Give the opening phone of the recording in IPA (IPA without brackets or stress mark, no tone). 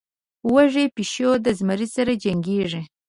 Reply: w